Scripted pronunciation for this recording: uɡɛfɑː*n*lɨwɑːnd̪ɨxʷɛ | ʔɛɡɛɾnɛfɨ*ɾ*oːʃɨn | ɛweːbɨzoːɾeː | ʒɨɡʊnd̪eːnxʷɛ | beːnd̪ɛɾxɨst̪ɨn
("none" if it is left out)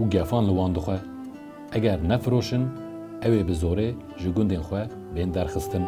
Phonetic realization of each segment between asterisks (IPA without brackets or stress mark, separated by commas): n, ɾ